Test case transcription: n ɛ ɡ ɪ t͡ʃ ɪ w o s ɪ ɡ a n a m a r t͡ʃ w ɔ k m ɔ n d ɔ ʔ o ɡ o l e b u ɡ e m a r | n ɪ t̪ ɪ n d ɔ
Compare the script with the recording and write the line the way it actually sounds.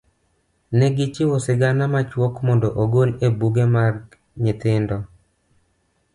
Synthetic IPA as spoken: n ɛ ɡ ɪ t͡ʃ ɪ w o s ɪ ɡ a n a m a t͡ʃ w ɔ k m ɔ n d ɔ ʔ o ɡ o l e b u ɡ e m a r | ɲ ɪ t̪ ɪ n d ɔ